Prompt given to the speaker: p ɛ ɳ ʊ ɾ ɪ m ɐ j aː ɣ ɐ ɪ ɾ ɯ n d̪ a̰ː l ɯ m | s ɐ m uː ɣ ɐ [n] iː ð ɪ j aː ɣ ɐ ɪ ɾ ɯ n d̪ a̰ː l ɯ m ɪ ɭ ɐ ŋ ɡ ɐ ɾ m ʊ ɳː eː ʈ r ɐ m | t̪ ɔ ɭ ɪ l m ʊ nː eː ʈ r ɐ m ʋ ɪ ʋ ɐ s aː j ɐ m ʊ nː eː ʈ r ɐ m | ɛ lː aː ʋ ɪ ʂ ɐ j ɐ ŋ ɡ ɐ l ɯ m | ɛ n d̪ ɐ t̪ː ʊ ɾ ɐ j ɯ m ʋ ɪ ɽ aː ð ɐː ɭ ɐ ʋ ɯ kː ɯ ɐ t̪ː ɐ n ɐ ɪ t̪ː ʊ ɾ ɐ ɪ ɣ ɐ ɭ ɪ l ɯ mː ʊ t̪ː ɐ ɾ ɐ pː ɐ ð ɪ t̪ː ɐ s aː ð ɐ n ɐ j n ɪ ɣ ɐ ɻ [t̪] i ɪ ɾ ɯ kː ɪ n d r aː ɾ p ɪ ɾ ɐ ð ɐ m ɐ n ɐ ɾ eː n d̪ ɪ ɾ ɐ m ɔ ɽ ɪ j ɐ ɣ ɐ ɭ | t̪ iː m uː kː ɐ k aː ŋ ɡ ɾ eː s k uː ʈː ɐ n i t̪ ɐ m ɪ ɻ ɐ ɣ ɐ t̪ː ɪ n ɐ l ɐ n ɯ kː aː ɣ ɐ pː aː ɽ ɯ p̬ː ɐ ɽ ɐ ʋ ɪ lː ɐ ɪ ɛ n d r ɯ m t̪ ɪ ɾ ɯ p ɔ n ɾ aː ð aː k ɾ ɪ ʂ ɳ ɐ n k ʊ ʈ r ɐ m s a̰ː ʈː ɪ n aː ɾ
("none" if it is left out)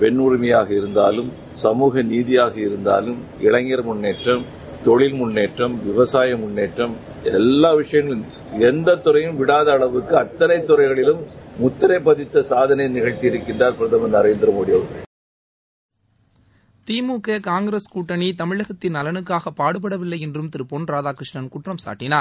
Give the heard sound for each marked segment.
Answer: n, t̪

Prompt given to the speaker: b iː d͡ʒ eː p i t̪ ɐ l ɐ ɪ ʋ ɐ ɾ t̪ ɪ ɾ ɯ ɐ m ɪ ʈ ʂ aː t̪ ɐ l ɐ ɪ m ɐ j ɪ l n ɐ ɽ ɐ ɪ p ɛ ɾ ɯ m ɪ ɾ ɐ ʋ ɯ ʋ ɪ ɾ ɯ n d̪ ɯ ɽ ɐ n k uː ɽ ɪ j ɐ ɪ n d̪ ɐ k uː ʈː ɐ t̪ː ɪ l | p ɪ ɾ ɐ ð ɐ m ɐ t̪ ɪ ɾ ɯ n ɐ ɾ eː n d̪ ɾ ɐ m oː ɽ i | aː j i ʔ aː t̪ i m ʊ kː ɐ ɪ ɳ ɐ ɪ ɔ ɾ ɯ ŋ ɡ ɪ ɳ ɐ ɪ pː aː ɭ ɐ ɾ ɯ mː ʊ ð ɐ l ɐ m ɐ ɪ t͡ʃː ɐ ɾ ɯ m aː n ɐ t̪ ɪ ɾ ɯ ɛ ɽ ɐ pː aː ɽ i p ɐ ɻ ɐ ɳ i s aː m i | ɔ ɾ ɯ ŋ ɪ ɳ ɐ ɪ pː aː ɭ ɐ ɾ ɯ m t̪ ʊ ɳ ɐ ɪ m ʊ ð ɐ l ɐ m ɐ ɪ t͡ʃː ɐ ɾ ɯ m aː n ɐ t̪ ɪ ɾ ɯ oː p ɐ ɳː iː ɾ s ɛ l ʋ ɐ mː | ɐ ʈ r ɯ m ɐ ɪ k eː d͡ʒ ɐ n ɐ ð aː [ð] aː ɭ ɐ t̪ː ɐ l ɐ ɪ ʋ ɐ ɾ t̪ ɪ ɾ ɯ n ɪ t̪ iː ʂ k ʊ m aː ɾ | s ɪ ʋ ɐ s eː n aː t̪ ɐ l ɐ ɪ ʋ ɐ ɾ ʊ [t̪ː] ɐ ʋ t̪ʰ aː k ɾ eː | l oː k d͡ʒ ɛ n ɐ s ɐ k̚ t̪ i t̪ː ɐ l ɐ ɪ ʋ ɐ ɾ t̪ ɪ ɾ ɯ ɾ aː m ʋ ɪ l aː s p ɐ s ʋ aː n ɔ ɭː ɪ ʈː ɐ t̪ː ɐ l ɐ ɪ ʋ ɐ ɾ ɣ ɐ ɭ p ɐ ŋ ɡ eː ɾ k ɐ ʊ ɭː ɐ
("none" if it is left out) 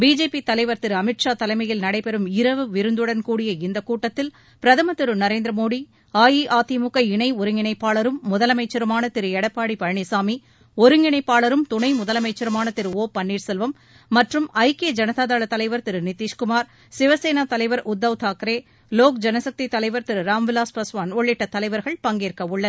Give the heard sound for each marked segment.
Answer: ð, d̪ː

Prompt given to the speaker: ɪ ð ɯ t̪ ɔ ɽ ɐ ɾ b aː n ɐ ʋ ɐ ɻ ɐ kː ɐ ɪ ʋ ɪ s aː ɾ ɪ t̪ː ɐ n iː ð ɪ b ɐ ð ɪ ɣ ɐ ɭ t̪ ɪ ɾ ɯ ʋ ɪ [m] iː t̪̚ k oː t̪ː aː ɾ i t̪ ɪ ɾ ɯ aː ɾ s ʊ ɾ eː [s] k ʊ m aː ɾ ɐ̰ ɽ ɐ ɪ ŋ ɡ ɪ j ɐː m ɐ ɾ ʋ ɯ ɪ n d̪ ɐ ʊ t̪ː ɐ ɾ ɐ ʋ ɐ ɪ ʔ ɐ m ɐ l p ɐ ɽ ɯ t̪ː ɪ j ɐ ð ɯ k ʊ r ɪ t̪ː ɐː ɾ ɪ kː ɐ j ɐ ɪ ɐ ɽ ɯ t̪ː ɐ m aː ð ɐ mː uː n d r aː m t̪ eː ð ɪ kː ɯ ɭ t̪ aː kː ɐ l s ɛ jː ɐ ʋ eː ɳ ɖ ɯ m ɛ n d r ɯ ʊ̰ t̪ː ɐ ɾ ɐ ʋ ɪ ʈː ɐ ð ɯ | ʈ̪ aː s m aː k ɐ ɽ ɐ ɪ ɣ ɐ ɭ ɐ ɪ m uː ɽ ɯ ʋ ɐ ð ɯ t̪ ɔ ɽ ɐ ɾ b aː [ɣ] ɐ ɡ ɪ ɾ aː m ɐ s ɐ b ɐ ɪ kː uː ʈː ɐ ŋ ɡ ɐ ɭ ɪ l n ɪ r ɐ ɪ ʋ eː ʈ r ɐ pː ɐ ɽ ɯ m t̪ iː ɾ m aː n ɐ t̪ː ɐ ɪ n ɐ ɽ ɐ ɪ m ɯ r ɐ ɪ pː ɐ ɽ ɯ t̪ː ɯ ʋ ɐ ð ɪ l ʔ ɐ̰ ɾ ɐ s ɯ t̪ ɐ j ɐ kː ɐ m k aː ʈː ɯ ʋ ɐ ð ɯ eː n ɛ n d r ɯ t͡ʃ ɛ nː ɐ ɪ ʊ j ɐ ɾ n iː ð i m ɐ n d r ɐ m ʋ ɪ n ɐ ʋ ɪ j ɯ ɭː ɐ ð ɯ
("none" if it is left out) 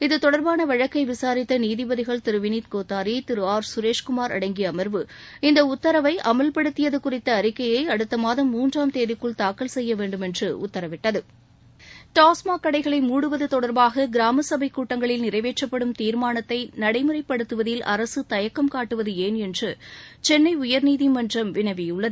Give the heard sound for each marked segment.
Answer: n, ʂ, ɣ

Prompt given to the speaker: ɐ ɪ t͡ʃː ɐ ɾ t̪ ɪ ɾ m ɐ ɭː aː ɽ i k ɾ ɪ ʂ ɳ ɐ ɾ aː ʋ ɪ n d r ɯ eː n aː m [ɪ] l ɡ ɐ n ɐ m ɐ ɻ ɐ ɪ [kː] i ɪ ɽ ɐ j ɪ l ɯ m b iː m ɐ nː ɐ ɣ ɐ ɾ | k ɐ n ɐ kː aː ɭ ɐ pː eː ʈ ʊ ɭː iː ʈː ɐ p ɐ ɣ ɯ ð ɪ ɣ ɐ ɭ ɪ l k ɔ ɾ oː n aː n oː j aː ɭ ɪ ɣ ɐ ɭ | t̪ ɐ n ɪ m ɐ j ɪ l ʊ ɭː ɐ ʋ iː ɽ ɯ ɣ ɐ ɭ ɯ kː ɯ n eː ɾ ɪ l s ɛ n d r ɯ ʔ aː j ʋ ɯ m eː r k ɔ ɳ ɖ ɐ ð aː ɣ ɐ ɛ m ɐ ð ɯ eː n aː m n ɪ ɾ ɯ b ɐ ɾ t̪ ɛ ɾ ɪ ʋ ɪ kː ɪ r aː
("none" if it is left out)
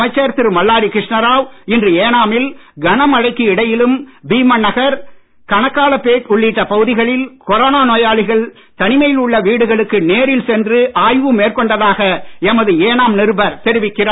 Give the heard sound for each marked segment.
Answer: ɪ, kː

